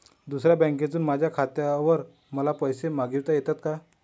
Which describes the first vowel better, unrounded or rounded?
rounded